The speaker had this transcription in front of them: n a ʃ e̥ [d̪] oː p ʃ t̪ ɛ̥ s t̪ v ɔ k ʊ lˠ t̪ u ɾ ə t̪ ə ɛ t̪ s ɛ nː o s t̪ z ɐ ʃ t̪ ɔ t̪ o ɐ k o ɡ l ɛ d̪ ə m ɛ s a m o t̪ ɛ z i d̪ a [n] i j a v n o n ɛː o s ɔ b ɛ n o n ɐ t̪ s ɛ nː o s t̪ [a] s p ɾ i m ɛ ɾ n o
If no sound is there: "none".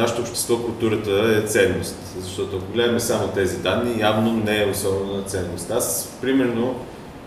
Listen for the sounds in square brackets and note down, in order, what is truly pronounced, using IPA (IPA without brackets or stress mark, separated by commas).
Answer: t̪, nː, a